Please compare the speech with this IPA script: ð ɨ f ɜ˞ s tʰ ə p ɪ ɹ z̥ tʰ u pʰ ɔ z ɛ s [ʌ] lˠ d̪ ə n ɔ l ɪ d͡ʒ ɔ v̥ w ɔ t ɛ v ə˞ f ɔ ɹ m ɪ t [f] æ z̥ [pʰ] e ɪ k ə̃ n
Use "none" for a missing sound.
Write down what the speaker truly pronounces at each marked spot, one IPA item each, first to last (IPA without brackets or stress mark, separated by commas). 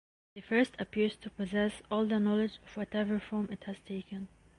ɔ, h, tʰ